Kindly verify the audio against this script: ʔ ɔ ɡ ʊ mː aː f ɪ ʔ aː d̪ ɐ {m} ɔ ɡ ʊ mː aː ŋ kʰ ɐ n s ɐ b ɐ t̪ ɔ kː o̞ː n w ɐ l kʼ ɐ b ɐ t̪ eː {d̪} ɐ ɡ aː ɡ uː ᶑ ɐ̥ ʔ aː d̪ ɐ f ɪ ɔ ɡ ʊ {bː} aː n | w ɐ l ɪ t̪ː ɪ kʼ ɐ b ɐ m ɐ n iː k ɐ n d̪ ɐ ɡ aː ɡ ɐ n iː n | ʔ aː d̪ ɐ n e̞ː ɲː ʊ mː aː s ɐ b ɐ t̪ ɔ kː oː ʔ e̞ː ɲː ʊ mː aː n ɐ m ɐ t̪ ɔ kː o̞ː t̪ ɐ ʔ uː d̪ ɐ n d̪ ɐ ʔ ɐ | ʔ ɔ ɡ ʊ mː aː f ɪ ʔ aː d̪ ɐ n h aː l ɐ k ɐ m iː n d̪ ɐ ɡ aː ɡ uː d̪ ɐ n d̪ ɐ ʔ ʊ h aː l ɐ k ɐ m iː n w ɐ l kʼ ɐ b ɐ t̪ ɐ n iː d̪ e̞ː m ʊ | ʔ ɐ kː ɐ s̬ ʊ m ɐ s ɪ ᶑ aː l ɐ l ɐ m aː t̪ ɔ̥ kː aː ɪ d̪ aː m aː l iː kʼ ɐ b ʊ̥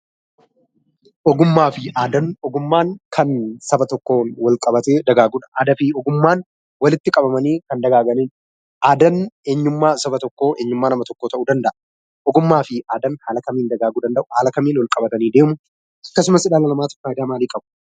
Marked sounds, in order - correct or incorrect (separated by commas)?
incorrect, correct, incorrect